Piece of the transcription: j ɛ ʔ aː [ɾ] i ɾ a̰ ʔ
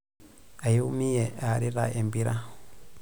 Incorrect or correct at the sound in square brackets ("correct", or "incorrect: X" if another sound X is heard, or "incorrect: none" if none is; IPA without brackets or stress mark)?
correct